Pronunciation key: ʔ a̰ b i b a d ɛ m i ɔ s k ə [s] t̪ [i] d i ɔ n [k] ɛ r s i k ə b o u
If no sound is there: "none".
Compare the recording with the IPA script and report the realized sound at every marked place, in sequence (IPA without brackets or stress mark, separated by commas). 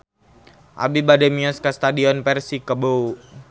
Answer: s, a, p